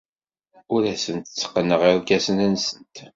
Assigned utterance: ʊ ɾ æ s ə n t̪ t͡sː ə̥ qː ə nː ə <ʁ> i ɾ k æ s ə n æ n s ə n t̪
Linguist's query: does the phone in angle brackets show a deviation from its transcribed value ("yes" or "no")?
no